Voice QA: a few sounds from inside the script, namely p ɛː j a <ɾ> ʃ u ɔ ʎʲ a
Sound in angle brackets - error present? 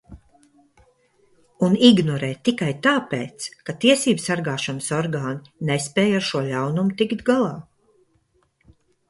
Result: no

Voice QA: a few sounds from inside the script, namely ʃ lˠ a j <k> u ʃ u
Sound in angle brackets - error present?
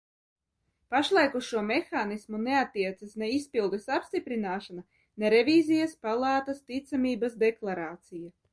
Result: no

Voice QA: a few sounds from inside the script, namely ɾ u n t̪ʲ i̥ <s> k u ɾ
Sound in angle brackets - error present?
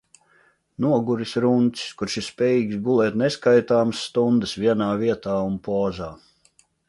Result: no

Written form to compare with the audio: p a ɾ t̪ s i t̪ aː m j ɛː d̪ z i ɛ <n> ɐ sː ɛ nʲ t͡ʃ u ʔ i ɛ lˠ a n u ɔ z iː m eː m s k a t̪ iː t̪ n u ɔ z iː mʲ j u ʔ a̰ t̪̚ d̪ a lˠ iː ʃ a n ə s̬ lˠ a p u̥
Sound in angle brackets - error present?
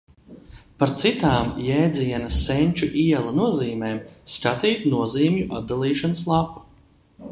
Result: no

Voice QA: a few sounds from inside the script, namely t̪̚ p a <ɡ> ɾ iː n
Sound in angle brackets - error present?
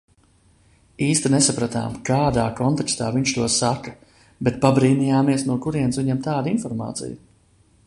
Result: yes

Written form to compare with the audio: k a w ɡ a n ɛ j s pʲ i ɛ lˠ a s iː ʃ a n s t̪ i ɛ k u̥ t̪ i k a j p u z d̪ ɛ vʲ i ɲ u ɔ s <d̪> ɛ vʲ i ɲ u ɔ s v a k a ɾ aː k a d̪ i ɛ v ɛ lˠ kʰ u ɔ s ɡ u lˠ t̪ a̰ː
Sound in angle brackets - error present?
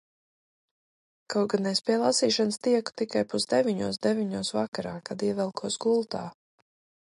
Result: no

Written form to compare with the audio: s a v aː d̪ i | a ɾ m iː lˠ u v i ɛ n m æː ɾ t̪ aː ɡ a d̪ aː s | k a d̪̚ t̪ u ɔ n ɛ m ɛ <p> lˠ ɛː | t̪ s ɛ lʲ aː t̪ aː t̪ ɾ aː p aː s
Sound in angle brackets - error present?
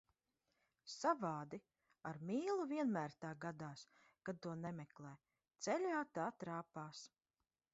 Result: yes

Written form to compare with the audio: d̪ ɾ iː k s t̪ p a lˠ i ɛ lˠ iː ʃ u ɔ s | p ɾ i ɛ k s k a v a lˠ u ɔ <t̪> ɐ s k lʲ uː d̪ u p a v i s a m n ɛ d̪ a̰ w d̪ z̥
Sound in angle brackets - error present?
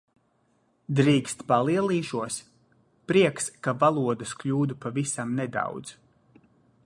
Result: yes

